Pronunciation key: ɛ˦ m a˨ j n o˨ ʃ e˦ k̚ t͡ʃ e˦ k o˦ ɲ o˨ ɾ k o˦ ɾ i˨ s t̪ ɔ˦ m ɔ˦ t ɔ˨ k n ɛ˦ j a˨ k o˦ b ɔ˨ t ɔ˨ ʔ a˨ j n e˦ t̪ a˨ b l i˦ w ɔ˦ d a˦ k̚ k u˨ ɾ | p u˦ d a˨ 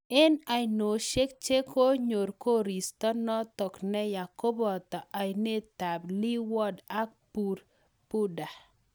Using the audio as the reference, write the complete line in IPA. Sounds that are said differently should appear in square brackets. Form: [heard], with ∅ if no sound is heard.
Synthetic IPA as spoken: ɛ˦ [n] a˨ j n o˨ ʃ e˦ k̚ t͡ʃ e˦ k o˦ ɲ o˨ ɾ k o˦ ɾ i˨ s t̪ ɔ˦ [n] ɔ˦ t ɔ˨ k n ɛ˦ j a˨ k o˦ b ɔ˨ t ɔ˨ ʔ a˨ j n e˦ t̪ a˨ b l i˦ w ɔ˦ d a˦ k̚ [p] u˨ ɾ | p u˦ d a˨